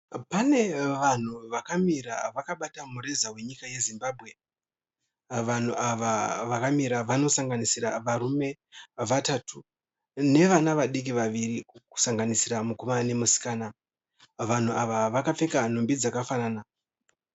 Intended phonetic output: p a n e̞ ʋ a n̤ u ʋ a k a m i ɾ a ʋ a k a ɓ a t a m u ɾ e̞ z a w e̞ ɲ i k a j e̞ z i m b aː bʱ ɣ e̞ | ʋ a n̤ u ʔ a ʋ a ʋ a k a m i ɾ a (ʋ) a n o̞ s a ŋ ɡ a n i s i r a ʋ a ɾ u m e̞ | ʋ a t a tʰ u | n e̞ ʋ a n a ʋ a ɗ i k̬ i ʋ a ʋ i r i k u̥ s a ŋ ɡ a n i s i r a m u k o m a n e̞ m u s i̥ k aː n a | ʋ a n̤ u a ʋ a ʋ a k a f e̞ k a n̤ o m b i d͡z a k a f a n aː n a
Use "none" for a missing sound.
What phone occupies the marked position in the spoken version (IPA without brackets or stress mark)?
ʋ